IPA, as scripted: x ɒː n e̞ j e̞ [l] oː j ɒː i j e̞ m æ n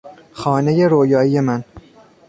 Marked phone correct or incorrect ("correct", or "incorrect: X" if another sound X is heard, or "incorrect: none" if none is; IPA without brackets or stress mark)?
incorrect: ɾ